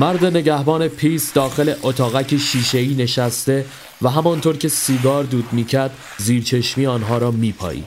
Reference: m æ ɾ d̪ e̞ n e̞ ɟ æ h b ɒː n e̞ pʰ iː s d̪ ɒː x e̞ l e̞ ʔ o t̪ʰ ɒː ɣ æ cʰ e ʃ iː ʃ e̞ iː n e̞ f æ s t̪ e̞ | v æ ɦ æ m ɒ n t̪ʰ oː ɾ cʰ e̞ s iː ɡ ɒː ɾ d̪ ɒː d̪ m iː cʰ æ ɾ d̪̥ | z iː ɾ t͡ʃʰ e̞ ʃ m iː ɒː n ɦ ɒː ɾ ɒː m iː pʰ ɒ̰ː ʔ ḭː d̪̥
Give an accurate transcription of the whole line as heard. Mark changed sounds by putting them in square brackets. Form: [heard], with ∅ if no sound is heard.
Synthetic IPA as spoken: m æ ɾ d̪ e̞ n e̞ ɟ æ h b ɒː n e̞ pʰ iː s d̪ ɒː x e̞ l e̞ ʔ o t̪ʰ ɒː ɣ æ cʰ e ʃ iː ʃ e̞ iː n e̞ [ʃ] æ s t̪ e̞ | v æ ɦ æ m ɒ n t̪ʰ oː ɾ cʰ e̞ s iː ɡ ɒː ɾ d̪ [uː] d̪ m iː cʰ æ ɾ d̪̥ | z iː ɾ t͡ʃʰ e̞ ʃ m iː ɒː n ɦ ɒː ɾ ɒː m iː pʰ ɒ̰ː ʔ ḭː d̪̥